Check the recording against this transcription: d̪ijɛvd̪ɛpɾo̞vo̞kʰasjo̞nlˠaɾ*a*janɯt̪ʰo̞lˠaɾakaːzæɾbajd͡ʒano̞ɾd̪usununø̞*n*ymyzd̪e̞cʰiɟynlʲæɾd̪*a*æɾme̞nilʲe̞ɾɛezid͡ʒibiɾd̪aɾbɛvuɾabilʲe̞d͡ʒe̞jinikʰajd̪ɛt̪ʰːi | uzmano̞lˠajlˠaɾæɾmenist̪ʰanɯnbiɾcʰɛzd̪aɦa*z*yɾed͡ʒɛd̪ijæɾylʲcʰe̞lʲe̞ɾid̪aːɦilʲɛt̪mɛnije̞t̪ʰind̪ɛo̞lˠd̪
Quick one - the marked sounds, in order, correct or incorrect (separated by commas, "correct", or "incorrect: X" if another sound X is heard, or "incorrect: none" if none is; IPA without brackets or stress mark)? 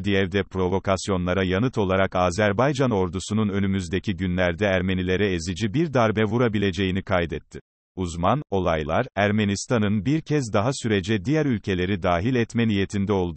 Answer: correct, correct, incorrect: ɛ, incorrect: s